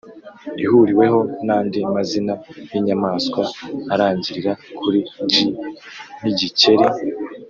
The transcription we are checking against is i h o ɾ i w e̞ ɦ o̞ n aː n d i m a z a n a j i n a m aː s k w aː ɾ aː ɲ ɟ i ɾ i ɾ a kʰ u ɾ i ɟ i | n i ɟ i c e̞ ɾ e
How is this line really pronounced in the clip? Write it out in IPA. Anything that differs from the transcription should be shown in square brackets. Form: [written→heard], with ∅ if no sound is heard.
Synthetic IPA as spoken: i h [o→u] ɾ i w e̞ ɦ o̞ n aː n d i m a z [a→i] n a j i [n→ɲ] a m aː s k w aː ɾ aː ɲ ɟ i ɾ i ɾ a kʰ u ɾ i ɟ i | n i ɟ i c e̞ ɾ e